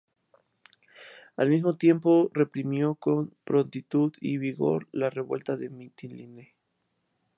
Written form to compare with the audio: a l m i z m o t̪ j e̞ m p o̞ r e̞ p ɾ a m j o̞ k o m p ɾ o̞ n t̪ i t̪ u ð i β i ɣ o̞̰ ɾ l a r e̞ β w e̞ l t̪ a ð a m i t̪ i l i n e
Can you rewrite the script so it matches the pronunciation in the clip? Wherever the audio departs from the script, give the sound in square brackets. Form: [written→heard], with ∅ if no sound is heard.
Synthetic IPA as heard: a l m i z m o t̪ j e̞ m p o̞ r e̞ p ɾ [a→i] m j o̞ k o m p ɾ o̞ n t̪ i t̪ u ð i β i ɣ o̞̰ ɾ l a r e̞ β w e̞ l t̪ a ð [a→e] m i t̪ i l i n e